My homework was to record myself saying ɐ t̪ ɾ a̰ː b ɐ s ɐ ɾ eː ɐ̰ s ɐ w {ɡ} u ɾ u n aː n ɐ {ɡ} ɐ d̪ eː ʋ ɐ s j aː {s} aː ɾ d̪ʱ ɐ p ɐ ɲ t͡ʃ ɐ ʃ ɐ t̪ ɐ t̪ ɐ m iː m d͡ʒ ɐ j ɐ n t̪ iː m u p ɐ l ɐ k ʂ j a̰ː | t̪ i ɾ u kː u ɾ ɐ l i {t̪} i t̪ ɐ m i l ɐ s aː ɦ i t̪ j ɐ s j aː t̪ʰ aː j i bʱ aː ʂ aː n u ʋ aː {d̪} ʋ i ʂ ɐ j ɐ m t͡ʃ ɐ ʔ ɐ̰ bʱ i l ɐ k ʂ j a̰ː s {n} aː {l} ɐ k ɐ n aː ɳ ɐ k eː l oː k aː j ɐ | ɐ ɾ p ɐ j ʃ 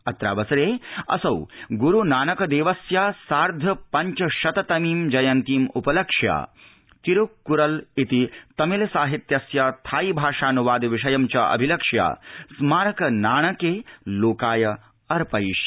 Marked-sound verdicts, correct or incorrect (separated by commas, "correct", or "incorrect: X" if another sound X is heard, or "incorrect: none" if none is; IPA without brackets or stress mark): correct, incorrect: k, correct, correct, correct, incorrect: m, incorrect: ɾ